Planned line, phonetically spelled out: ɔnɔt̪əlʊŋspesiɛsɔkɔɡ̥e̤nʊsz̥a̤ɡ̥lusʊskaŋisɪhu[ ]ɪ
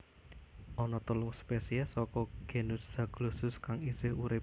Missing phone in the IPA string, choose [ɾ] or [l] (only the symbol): ɾ